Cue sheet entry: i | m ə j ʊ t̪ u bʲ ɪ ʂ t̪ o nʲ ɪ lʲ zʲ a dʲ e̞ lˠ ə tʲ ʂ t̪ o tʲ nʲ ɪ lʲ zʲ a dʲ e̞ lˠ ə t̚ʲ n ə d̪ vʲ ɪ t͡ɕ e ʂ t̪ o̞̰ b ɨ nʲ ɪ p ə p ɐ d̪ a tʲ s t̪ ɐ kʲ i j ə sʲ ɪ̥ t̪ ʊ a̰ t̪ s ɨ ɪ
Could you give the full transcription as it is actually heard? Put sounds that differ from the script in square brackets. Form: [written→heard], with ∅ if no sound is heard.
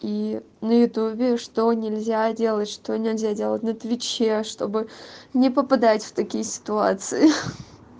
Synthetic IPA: i | [m→n] ə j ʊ t̪ u bʲ ɪ ʂ t̪ o nʲ ɪ lʲ zʲ a dʲ e̞ lˠ ə tʲ ʂ t̪ o [tʲ→∅] nʲ ɪ lʲ zʲ a dʲ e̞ lˠ ə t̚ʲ n ə [d̪→t̪] vʲ ɪ t͡ɕ e ʂ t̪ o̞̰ b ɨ nʲ ɪ p ə p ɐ d̪ a tʲ [s→f] t̪ ɐ kʲ i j ə sʲ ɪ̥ t̪ ʊ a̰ t̪ s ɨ ɪ